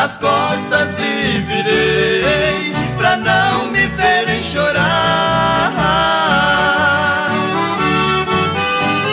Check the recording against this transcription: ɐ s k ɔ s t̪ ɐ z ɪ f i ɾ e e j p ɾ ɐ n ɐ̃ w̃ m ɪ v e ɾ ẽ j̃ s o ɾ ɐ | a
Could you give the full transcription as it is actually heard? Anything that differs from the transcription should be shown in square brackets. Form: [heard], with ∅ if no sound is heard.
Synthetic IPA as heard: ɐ s k ɔ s t̪ ɐ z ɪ [v] i ɾ e e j p ɾ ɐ n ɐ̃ w̃ m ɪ v e ɾ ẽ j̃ [ʃ] o ɾ [a] | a